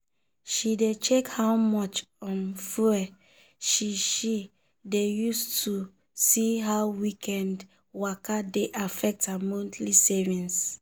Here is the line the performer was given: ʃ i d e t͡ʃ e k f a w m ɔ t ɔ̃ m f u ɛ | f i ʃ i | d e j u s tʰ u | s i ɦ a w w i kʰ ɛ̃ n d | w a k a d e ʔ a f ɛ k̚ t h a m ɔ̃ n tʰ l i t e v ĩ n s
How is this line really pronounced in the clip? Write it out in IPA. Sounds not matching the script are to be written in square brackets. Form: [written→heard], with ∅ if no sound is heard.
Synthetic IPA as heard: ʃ i d e t͡ʃ e k [f→h] a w m ɔ [t→t͡ʃ] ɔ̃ [m→n] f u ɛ | [f→ʃ] i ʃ i | d e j u s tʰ u | s i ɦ a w w i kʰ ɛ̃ n d | w a k a d e ʔ a f ɛ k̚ t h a m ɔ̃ n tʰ l i [t→s] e v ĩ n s